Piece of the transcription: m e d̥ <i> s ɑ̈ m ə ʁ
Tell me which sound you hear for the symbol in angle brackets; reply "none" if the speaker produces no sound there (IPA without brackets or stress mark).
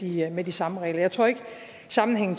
i